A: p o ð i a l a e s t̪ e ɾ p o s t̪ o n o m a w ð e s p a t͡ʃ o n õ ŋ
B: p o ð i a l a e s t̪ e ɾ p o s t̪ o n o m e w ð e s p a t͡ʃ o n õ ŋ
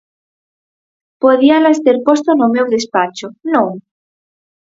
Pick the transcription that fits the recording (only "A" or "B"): B